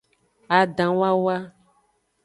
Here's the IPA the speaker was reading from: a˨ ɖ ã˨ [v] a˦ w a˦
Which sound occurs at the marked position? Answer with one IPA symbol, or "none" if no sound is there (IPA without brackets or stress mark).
w